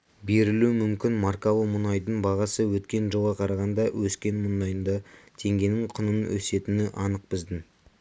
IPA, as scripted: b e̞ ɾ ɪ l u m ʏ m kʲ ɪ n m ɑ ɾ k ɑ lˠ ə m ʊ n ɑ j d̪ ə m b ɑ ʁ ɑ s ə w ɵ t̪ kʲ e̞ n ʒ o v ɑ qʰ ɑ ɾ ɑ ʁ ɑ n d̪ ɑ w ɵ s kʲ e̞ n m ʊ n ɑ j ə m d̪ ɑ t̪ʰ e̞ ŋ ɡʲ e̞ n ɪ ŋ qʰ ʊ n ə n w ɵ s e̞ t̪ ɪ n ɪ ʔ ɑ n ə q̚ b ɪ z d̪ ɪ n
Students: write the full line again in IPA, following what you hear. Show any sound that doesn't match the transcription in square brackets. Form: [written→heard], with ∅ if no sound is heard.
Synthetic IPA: b e̞ ɾ ɪ l u m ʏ m kʲ ɪ n m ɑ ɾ k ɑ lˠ ə m ʊ n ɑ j d̪ ə [m→ɴ] b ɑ ʁ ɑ s ə w ɵ t̪ kʲ e̞ n ʒ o [v→ʁ] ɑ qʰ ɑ ɾ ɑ ʁ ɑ n d̪ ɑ w ɵ s kʲ e̞ n m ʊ n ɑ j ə [m→n] d̪ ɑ t̪ʰ e̞ ŋ ɡʲ e̞ n ɪ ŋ qʰ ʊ n ə n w ɵ s e̞ t̪ ɪ n ɪ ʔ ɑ n ə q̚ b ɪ z d̪ ɪ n

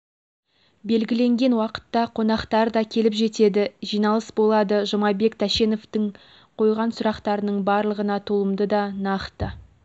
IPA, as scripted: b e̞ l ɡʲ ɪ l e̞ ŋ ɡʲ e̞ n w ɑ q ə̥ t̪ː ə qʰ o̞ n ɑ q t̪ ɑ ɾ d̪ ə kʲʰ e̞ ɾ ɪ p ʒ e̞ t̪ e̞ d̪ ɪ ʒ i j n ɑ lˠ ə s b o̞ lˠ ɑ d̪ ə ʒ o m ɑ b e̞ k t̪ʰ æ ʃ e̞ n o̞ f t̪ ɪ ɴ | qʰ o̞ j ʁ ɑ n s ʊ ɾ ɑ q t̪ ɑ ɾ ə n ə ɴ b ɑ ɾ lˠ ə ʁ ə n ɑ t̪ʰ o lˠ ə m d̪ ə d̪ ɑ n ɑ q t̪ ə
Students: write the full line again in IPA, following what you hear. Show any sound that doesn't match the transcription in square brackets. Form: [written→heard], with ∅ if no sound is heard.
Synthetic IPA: b e̞ l ɡʲ ɪ l e̞ ŋ ɡʲ e̞ n w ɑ q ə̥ t̪ː [ə→ɑ] qʰ o̞ n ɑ q t̪ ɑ ɾ d̪ [ə→ɑ] kʲʰ e̞ [ɾ→l] ɪ p ʒ e̞ t̪ e̞ d̪ ɪ ʒ i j n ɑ lˠ ə s b o̞ lˠ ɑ d̪ ə ʒ o m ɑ b e̞ k t̪ʰ æ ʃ e̞ n o̞ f t̪ ɪ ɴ | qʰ o̞ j ʁ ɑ n s ʊ ɾ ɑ q t̪ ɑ ɾ ə n ə ɴ b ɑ ɾ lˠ ə ʁ ə n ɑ t̪ʰ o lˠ ə m d̪ ə d̪ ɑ n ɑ q t̪ ə

